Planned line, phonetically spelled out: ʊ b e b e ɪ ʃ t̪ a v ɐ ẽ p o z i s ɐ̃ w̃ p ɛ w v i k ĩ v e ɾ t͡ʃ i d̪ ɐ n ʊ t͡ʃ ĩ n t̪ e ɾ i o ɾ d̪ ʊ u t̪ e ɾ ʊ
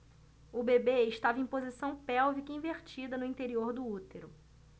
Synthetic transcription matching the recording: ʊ b e b e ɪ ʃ t̪ a v ɐ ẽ p o z i s ɐ̃ w̃ p ɛ w v i k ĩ v e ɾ t͡ʃ i d̪ ɐ n ʊ ĩ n t̪ e ɾ i o ɾ d̪ ʊ u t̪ e ɾ ʊ